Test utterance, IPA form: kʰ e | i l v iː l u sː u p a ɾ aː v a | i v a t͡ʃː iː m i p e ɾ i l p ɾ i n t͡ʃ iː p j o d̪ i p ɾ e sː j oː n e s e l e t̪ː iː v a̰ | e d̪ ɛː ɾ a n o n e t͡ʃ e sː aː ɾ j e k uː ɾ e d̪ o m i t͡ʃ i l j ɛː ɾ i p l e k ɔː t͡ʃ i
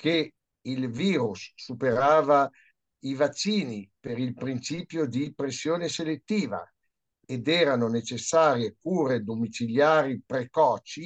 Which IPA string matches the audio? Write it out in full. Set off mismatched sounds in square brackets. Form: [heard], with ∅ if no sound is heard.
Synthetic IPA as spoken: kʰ e | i l v iː [ɾ] u sː u p [e] ɾ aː v a | i v a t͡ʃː iː [n] i p e ɾ i l p ɾ i n t͡ʃ iː p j o d̪ i p ɾ e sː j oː n e s e l e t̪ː iː v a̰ | e d̪ ɛː ɾ a n o n e t͡ʃ e sː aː ɾ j e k uː ɾ e d̪ o m i t͡ʃ i l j [aː] ɾ i p [ɾ] e k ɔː t͡ʃ i